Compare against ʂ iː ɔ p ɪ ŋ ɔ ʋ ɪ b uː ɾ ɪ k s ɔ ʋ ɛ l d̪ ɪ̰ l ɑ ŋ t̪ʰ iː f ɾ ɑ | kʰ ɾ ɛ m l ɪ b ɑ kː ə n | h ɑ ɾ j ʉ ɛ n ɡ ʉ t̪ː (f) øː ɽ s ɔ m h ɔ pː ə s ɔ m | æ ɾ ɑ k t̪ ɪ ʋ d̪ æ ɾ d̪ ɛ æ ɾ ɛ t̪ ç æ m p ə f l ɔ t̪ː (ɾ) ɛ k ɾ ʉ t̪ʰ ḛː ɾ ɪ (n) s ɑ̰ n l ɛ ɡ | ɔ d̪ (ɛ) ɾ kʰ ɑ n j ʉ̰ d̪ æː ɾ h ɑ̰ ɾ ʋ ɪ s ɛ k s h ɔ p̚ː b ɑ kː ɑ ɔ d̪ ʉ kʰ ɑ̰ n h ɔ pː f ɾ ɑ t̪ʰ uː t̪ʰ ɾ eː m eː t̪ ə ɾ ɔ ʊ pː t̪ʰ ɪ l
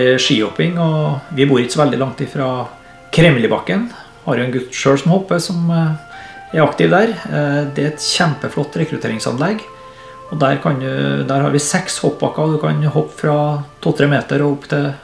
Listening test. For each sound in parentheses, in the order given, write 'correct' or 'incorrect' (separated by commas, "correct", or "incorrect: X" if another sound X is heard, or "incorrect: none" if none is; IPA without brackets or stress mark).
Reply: incorrect: ʂ, correct, incorrect: ŋ, incorrect: æ